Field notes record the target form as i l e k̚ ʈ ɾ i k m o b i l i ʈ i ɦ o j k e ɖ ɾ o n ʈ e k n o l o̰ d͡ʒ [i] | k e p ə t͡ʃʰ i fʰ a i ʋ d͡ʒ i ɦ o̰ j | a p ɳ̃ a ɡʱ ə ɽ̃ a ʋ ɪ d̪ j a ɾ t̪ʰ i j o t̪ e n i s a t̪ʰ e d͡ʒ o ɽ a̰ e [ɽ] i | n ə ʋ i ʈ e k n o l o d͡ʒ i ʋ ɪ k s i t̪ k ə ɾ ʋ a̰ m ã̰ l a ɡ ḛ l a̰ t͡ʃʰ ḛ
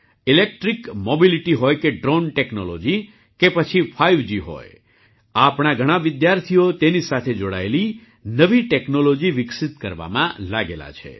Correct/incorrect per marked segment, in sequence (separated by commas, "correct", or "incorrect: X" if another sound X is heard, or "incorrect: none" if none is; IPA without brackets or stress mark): correct, incorrect: l